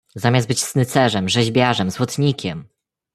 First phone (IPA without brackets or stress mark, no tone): z